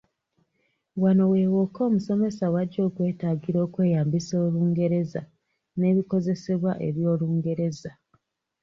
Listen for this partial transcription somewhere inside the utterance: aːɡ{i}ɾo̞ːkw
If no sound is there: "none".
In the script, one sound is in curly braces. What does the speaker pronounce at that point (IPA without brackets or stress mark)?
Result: i